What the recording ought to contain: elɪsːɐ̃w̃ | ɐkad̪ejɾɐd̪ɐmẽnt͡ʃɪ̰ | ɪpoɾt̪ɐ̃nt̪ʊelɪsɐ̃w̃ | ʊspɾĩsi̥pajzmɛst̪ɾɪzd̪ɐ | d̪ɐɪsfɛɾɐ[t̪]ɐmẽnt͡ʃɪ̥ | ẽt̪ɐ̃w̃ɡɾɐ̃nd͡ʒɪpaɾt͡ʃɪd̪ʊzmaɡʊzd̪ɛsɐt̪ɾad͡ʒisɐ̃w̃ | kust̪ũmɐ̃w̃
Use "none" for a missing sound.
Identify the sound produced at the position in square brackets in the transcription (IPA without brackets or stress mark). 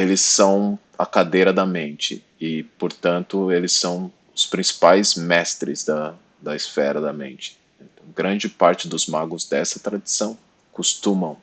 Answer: d̪